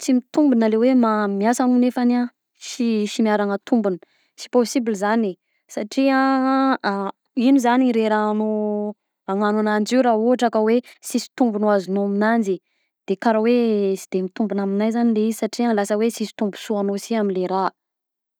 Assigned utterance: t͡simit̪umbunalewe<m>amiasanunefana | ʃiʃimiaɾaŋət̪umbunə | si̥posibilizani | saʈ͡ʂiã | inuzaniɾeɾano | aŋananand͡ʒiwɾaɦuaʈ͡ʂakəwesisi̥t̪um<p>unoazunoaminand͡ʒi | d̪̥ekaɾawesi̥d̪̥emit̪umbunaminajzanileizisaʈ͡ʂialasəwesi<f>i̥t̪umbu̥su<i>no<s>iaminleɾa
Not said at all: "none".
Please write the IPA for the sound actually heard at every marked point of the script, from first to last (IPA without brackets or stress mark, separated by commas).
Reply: m, b, s, a, s